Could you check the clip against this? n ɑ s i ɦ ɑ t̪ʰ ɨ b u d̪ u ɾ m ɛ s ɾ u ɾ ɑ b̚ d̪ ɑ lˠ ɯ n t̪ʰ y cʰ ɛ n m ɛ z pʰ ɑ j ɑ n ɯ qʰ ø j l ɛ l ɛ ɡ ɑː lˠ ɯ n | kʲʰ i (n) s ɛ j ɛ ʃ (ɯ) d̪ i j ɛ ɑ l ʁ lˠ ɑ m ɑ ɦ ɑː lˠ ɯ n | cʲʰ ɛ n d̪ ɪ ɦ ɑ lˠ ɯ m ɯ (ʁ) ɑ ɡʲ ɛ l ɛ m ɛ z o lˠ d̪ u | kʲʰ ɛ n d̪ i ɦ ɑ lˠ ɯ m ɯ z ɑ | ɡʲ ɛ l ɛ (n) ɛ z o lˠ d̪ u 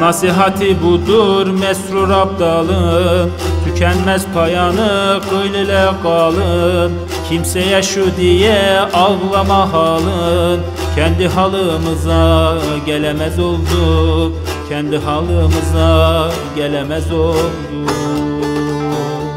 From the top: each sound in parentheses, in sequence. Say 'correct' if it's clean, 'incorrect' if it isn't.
incorrect, incorrect, incorrect, incorrect

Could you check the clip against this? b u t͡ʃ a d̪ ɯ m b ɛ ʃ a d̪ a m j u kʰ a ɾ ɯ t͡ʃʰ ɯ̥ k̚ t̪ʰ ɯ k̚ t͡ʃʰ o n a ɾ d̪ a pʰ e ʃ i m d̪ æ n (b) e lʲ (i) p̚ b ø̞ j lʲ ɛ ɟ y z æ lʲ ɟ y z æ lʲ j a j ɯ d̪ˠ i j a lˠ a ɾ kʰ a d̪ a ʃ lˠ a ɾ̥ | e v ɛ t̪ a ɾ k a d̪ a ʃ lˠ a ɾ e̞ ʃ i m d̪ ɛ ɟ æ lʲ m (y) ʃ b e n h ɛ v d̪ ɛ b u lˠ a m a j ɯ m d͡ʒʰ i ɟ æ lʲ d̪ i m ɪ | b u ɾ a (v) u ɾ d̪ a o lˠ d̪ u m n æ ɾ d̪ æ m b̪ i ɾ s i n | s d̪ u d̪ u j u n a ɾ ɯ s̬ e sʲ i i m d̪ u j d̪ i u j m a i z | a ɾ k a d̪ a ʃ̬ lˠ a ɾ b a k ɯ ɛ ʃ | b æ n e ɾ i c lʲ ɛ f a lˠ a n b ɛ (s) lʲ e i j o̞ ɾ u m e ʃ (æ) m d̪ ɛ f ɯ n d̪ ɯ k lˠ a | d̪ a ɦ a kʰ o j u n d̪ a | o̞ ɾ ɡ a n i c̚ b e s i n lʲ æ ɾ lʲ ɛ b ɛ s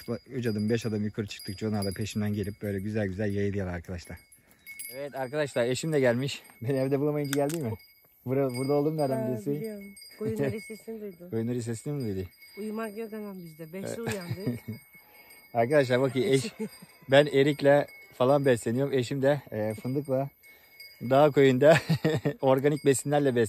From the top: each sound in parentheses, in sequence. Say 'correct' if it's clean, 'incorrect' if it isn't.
incorrect, correct, incorrect, incorrect, correct, incorrect

